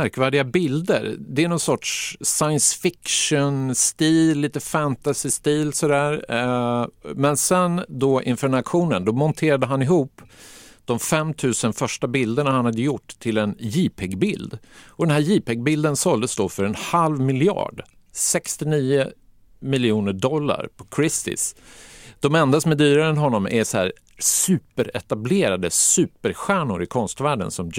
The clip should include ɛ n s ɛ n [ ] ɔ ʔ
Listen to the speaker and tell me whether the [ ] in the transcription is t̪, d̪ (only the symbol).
d̪